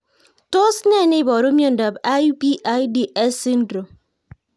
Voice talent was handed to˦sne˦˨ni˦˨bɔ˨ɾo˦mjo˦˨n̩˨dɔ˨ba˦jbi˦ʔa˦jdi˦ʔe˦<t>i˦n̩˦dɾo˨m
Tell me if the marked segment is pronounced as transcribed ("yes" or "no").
no